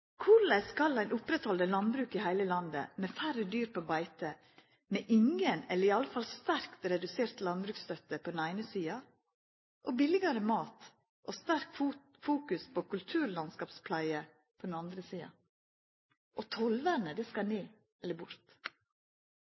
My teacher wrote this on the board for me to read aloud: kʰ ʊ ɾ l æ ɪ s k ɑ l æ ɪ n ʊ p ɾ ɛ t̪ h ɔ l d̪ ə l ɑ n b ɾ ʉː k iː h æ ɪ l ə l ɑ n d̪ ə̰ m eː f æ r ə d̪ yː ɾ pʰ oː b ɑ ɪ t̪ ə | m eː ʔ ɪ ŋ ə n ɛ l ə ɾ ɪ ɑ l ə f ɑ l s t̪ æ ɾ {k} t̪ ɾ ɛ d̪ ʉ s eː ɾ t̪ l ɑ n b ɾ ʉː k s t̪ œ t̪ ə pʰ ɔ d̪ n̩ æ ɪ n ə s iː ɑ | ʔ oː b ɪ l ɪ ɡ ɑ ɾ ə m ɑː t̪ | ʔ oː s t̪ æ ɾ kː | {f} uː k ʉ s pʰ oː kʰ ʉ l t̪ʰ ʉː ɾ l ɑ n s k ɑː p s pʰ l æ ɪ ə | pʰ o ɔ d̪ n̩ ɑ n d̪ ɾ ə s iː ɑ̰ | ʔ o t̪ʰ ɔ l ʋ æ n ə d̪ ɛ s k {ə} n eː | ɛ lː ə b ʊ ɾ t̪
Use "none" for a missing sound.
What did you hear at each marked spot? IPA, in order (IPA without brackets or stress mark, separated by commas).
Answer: k, f, ɑ